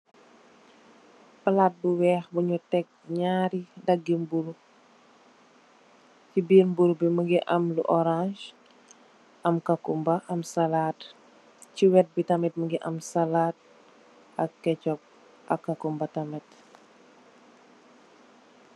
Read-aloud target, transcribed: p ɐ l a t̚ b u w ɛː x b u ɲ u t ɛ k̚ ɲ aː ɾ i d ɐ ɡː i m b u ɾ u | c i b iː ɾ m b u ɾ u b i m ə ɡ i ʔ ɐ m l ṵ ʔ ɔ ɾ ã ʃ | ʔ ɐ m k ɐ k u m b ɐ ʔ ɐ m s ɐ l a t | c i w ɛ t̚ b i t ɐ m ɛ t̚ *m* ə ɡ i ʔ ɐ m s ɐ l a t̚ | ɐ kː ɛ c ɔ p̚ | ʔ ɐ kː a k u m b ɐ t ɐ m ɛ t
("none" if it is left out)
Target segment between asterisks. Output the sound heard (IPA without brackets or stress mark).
m